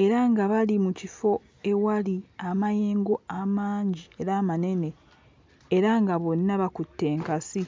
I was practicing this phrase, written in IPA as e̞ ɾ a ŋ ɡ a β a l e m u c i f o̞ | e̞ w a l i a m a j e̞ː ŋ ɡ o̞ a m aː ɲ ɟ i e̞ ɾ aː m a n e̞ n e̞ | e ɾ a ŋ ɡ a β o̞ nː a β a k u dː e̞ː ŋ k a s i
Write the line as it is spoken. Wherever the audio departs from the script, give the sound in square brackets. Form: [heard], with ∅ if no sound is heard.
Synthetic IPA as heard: e̞ ɾ a ŋ ɡ a β a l [i] m u c i f o̞ | e̞ w a l i a m a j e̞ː ŋ ɡ o̞ a m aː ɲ ɟ i e̞ ɾ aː m a n e̞ n e̞ | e ɾ a ŋ ɡ a β o̞ nː a β a k u [tː] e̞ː ŋ k a s i

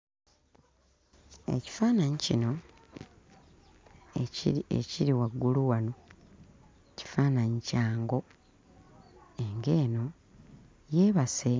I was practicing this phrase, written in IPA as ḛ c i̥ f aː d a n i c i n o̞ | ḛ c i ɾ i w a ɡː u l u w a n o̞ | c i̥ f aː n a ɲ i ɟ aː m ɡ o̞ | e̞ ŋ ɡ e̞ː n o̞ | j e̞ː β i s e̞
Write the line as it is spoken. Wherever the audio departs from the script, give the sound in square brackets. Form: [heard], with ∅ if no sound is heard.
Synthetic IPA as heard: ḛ c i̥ f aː [n] a [ɲ] i c i n o̞ | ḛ c i ɾ i w a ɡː u l u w a n o̞ | c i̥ f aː n a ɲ i [c] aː [ŋ] ɡ o̞ | e̞ ŋ ɡ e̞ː n o̞ | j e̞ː β [a] s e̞

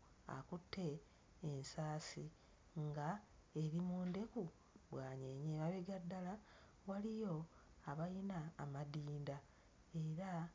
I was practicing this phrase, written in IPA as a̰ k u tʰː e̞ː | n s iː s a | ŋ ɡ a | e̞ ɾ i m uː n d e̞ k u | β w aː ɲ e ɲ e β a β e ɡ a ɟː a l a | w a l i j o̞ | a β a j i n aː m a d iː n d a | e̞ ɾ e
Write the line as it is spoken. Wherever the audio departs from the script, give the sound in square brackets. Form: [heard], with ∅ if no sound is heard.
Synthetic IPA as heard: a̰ k u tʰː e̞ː | n s [aː] s [i] | ŋ ɡ a | e̞ ɾ i m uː n d e̞ k u | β w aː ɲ e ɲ e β a β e ɡ a [dː] a l a | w a l i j o̞ | a β a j i n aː m a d iː n d a | e̞ ɾ [a]

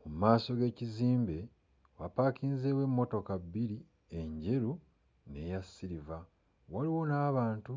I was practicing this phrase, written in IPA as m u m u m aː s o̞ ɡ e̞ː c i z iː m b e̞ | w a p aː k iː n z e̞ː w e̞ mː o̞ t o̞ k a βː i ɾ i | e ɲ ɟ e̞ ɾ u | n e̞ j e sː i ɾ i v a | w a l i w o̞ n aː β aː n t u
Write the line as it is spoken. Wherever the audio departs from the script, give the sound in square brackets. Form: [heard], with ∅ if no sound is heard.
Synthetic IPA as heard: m u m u m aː s o̞ ɡ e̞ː c i z iː m b e̞ | w a p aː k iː n z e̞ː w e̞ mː o̞ t o̞ k a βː i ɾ i | e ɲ ɟ e̞ ɾ u | n e̞ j [a] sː i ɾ i v a | w a l i w o̞ n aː β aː n t u

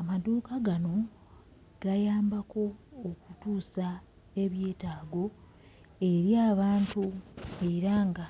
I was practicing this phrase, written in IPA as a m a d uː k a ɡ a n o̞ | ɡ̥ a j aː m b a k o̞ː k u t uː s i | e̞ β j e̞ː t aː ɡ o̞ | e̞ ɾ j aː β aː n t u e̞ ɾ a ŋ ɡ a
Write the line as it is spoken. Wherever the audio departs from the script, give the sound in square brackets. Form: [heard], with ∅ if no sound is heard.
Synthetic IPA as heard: a m a d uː k a ɡ a n o̞ | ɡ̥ a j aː m b a k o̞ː k u t uː s [a] | e̞ β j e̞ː t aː ɡ o̞ | e̞ ɾ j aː β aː n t u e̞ ɾ a ŋ ɡ a

